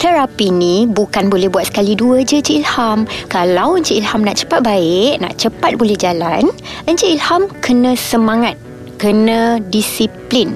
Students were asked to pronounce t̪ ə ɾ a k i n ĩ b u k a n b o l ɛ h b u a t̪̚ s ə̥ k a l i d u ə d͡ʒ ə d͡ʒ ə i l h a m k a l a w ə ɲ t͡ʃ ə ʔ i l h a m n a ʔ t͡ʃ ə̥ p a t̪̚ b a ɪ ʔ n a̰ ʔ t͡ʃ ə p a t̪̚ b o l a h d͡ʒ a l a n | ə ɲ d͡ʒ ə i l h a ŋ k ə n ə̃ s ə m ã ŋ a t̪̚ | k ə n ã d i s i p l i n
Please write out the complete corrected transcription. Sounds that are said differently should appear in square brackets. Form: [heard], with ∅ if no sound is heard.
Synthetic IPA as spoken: t̪ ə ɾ a [p] i n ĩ b u k a n b o l ɛ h b u a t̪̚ s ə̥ k a l i d u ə d͡ʒ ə d͡ʒ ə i l h a m k a l a w ə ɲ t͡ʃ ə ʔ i l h a m n a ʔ t͡ʃ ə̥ p a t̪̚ b a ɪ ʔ n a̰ ʔ t͡ʃ ə p a t̪̚ b o l [ɛ] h d͡ʒ a l a n | ə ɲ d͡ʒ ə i l h a [m] k ə n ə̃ s ə m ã ŋ a t̪̚ | k ə n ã d i s i p l i n